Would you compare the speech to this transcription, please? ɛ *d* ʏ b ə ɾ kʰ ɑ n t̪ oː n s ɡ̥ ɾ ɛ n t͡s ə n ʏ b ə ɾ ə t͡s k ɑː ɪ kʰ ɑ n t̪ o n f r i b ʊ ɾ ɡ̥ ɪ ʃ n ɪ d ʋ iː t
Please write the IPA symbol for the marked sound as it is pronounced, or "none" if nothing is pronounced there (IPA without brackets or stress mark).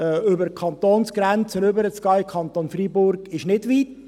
none